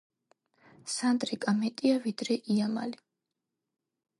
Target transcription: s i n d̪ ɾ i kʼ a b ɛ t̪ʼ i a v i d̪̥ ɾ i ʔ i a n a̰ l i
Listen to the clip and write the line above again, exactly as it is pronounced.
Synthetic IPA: s a n d̪ ɾ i kʼ a m ɛ t̪ʼ i a v i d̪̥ ɾ ɛ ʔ i a m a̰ l i